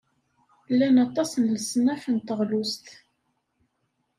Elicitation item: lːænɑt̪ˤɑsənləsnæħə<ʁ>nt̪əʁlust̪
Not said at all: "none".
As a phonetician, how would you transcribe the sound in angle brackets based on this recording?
none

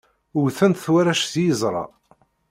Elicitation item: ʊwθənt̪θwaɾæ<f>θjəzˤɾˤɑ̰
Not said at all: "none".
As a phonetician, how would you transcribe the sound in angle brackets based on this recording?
ʃ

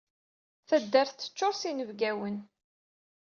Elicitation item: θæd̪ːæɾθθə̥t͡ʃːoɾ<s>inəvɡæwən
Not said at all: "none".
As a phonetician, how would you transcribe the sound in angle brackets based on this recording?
s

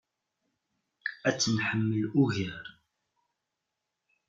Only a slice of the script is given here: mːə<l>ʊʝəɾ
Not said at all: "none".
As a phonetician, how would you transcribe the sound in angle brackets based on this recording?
l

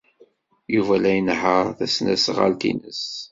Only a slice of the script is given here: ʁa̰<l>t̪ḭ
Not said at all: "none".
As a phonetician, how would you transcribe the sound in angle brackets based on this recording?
l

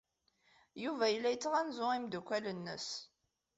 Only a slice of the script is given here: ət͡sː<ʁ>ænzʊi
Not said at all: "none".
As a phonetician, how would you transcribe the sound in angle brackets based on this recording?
ʁ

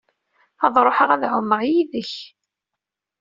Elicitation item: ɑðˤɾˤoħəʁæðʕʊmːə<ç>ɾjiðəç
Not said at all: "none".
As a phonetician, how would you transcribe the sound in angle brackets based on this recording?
none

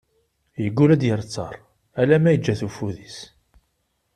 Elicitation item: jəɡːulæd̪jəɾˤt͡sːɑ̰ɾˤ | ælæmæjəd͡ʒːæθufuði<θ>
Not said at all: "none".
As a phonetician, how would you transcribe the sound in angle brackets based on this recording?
s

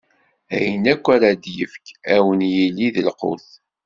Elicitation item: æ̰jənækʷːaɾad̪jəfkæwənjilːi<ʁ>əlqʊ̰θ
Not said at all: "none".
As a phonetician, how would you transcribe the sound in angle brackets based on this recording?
ð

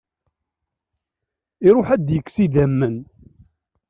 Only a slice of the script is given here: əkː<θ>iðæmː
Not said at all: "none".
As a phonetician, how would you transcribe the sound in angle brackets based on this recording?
s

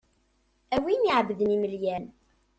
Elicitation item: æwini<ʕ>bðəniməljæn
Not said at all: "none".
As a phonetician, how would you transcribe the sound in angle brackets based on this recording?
ʕ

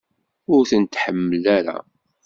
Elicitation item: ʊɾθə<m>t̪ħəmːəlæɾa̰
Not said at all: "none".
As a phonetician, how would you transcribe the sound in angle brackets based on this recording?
n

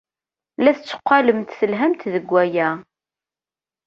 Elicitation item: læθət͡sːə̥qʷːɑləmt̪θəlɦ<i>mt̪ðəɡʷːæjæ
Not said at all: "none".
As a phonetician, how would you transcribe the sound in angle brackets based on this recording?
æ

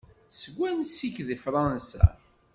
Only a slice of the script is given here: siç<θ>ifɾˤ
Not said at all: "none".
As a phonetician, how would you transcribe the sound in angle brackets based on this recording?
ð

